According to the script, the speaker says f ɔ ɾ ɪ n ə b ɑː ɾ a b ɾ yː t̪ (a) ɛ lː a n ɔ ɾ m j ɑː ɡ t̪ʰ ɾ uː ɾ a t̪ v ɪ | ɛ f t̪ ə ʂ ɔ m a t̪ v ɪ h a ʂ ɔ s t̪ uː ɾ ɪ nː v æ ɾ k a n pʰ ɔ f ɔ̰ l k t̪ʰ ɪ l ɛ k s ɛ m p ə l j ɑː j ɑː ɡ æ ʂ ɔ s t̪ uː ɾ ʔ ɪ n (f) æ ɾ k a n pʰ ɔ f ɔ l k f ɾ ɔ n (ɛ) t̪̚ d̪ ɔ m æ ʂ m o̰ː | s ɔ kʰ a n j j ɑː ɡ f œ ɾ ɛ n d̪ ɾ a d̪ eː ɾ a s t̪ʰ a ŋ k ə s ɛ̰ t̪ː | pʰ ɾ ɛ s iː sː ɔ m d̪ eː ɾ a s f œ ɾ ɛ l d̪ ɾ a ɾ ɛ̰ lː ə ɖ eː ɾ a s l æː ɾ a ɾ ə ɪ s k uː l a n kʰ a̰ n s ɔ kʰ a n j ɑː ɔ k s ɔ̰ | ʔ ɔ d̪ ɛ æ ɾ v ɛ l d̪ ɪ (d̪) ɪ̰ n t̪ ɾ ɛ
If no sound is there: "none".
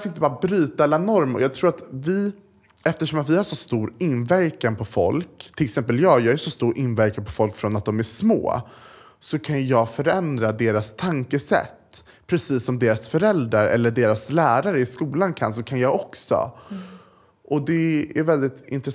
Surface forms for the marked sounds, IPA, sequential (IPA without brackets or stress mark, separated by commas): a, v, a, t̪